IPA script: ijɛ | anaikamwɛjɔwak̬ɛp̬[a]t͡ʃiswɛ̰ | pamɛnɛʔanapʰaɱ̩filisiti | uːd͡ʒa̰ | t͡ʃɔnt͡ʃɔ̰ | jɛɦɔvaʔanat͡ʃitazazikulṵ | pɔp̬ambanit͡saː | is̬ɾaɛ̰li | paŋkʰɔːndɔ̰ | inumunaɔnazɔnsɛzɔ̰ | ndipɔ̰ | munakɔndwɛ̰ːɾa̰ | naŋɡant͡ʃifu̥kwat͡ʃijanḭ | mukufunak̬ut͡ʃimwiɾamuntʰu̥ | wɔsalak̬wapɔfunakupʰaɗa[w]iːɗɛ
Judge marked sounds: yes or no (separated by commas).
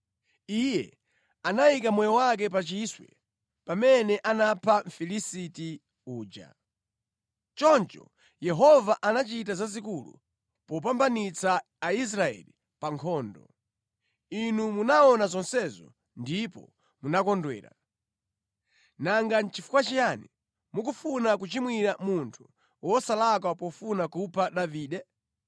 yes, no